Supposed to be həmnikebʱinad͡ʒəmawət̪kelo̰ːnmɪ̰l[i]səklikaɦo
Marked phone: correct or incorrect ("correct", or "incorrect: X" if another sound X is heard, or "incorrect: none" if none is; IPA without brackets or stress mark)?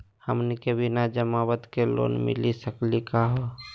correct